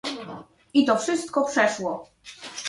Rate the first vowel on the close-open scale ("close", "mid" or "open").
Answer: close